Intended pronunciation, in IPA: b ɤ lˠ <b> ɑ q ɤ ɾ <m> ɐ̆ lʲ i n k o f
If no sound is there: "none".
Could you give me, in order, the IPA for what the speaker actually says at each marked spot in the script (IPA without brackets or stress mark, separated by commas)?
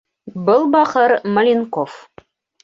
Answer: b, m